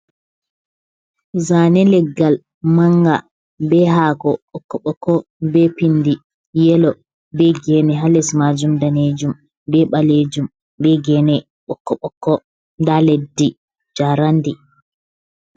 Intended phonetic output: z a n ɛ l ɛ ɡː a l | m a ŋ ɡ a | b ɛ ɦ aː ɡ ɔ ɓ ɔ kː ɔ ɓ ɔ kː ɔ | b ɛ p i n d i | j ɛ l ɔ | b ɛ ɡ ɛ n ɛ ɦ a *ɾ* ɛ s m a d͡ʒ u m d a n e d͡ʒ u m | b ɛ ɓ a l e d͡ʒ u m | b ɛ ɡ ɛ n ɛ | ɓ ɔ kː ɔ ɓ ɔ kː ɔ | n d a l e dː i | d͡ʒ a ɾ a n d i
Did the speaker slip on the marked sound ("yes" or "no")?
yes